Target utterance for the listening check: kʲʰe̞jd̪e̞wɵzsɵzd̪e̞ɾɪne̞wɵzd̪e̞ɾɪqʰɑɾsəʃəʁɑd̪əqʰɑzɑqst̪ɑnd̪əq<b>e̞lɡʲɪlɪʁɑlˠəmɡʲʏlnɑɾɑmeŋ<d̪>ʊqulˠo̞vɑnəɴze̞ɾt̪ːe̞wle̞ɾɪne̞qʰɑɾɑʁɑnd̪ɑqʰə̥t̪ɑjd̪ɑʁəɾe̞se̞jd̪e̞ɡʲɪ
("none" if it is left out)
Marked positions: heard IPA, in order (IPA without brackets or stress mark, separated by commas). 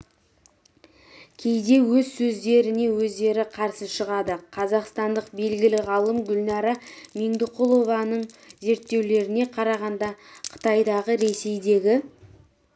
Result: b, d̪